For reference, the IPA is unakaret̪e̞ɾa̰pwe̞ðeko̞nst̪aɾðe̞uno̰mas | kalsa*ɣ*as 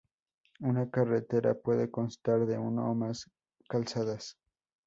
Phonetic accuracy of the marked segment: incorrect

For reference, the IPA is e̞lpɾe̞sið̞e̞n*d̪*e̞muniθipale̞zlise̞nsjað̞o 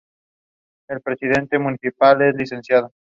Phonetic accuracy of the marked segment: incorrect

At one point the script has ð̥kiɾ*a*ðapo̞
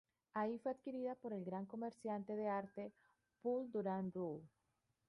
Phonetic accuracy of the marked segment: incorrect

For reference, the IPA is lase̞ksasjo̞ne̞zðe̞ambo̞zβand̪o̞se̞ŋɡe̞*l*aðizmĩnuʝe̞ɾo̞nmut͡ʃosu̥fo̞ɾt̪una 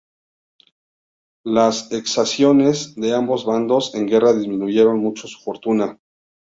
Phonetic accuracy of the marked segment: incorrect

